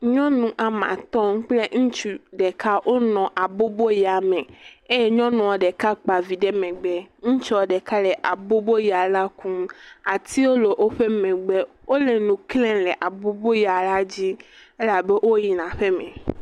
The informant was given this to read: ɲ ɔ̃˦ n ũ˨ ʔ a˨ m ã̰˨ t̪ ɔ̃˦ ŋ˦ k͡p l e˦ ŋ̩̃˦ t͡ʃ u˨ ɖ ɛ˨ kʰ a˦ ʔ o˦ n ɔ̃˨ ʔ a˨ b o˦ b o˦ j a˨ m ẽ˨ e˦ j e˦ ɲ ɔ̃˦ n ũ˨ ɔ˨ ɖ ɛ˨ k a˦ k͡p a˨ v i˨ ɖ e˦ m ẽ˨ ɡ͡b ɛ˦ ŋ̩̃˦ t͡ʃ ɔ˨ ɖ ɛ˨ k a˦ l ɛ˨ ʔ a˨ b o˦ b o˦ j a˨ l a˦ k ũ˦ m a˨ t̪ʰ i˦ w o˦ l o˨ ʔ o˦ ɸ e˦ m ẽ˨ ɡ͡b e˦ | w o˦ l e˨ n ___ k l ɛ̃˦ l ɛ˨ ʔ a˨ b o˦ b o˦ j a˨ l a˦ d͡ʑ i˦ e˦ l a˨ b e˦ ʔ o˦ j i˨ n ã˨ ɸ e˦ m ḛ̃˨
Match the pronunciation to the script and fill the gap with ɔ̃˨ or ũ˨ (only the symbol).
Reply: ũ˨